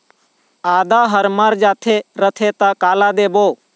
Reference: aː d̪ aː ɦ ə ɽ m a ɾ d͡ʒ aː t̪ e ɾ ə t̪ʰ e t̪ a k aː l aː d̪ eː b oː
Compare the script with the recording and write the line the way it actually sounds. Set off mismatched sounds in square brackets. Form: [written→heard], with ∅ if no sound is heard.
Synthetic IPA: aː d̪ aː ɦ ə [ɽ→ɾ] m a ɾ d͡ʒ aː [t̪→t̪ʰ] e ɾ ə t̪ʰ e t̪ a k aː l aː d̪ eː b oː